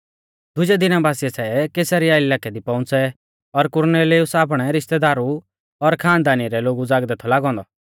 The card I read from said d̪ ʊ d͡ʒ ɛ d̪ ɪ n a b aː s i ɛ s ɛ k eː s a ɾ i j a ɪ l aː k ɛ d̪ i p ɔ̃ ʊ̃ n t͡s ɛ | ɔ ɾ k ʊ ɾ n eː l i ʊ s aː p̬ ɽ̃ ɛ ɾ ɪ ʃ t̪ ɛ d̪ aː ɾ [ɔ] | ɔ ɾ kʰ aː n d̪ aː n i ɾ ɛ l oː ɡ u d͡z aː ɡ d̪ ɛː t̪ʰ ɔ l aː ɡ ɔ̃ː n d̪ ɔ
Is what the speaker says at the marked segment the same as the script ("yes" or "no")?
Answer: no